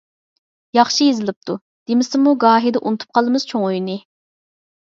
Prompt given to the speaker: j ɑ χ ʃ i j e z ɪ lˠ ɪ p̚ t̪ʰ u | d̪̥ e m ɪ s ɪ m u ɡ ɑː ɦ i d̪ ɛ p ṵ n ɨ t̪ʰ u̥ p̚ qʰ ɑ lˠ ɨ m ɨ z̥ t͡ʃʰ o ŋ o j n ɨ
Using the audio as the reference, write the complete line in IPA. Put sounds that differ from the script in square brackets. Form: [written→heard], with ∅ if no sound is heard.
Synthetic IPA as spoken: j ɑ χ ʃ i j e z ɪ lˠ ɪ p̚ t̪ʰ u | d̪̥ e m ɪ s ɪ m u ɡ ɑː ɦ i d̪ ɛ [p→ʔ] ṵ n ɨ t̪ʰ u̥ p̚ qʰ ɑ lˠ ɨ m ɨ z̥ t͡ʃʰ o ŋ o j n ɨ